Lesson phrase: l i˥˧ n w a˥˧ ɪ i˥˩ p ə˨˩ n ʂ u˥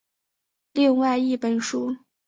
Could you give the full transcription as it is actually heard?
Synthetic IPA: l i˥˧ ŋ w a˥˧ ɪ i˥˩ p ə˨˩ n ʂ u˥